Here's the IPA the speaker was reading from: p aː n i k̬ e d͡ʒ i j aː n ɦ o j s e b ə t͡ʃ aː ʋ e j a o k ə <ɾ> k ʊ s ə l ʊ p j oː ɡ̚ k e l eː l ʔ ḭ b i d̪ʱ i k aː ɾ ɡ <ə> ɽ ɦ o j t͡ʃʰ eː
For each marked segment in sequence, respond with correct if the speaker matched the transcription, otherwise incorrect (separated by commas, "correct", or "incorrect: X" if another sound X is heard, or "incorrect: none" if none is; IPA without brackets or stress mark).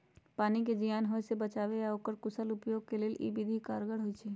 correct, correct